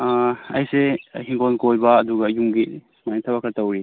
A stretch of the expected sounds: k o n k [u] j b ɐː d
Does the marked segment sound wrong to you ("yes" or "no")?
yes